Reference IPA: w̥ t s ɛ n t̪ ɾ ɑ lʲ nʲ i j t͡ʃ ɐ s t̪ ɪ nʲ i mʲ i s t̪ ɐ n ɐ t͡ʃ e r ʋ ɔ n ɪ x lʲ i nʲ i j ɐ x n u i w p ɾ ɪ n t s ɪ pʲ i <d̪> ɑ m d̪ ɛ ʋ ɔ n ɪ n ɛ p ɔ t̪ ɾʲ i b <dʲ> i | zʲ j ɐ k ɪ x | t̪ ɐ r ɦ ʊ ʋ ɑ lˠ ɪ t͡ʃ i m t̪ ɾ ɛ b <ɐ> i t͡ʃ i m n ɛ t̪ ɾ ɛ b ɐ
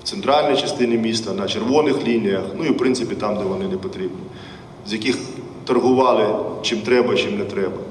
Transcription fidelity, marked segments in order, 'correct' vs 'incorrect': incorrect: t̪, incorrect: nʲ, correct

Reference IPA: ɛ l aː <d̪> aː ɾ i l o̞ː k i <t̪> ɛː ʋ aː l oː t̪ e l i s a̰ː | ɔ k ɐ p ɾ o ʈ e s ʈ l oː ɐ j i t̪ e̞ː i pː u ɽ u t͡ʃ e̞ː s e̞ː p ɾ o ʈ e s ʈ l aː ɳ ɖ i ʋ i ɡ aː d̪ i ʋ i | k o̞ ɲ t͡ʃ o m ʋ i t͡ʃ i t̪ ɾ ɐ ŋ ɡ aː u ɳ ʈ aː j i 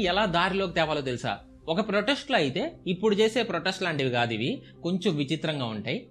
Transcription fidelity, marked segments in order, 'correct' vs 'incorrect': correct, correct

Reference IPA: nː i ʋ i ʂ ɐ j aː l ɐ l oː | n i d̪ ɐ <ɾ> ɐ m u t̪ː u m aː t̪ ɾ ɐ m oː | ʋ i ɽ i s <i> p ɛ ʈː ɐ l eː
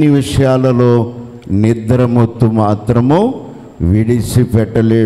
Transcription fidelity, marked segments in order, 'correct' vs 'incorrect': correct, correct

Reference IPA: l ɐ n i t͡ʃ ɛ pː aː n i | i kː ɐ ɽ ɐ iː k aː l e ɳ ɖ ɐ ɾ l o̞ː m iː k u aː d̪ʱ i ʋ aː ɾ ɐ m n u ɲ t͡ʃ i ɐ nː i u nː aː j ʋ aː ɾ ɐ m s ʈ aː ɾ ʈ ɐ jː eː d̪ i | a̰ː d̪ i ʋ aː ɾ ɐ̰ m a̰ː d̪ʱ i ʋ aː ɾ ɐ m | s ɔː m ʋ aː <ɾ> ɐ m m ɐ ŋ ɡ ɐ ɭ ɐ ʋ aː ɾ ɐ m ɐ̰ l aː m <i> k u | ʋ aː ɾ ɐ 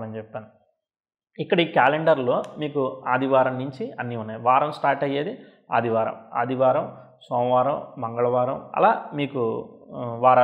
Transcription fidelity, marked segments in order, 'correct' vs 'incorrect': correct, incorrect: iː

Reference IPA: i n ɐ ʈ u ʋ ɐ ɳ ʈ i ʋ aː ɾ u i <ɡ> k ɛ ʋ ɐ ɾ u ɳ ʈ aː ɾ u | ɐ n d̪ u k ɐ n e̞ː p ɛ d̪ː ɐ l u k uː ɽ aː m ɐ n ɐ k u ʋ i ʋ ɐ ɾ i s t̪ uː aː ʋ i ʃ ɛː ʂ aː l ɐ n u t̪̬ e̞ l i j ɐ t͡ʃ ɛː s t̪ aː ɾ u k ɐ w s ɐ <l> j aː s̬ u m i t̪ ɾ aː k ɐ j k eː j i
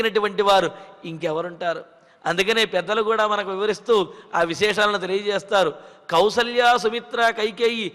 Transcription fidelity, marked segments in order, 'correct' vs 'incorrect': incorrect: ŋ, correct

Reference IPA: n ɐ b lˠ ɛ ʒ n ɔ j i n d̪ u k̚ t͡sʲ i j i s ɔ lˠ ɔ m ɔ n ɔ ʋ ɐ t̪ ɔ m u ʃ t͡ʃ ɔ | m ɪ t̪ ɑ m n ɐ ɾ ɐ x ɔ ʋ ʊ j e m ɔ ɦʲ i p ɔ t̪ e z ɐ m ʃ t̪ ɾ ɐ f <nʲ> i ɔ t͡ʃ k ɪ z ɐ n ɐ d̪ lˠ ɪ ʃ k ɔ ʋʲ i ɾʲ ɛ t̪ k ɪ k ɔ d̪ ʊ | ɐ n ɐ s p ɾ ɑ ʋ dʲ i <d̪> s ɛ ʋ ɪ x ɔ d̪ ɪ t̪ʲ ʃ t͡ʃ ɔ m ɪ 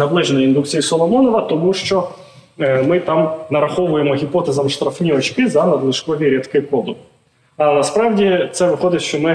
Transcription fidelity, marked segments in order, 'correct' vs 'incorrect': correct, incorrect: t̪

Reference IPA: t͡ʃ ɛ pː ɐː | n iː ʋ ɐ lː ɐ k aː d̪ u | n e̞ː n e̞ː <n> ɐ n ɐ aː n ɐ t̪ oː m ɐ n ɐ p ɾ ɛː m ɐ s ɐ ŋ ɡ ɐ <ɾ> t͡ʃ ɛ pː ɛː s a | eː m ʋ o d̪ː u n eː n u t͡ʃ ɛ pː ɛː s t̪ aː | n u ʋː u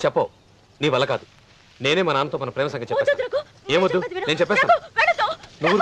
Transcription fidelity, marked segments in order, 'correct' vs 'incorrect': incorrect: m, incorrect: none

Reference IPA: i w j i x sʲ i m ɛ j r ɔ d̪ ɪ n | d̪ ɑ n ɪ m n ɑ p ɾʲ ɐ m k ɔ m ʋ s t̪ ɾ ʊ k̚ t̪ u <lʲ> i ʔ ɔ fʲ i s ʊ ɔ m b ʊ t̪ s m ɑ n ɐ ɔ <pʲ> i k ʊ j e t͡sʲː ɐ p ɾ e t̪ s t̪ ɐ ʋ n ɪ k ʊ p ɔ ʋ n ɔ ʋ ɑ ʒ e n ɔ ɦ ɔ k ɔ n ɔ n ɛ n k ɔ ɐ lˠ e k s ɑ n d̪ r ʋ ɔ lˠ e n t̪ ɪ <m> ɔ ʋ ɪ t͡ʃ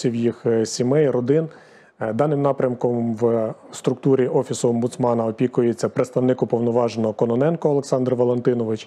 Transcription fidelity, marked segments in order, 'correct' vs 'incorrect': incorrect: ɾʲ, correct, incorrect: n

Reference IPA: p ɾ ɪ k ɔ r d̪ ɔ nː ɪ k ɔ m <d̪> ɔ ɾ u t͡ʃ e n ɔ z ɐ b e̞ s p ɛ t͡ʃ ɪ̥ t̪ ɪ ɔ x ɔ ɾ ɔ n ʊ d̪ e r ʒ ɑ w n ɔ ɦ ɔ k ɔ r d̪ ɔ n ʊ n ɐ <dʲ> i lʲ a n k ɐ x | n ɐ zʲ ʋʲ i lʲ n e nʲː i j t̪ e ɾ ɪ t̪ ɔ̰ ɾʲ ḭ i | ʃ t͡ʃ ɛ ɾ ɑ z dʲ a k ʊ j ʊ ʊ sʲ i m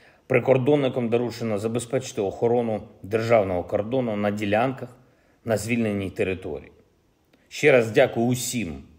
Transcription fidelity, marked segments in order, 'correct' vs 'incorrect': correct, correct

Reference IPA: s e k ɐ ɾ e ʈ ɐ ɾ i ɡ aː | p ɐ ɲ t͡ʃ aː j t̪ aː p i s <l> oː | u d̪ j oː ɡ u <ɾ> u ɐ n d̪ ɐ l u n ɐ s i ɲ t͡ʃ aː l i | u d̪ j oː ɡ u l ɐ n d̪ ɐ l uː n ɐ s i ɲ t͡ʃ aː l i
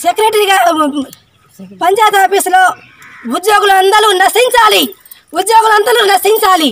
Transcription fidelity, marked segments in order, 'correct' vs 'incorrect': correct, incorrect: l

